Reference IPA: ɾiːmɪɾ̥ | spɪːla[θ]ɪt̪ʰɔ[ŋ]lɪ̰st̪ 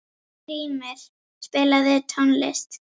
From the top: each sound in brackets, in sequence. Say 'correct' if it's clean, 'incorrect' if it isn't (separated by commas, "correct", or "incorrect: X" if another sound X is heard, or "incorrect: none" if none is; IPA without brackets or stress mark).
incorrect: ð, incorrect: n